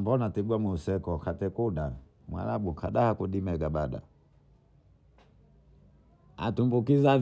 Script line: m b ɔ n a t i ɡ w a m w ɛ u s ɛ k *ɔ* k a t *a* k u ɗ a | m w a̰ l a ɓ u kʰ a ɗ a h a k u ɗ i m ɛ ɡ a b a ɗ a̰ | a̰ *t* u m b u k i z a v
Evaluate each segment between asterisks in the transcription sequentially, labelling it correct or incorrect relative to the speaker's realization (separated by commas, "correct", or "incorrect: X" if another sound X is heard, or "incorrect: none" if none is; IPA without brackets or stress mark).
correct, incorrect: ɛ, correct